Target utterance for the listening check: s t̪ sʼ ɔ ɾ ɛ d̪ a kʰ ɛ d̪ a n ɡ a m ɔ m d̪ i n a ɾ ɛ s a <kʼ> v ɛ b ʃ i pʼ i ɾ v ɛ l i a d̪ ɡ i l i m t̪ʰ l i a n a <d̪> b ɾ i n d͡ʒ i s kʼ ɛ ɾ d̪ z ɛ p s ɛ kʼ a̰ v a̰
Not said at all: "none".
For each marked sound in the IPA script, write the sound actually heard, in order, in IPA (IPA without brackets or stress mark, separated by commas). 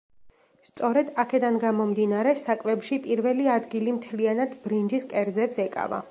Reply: kʼ, d̪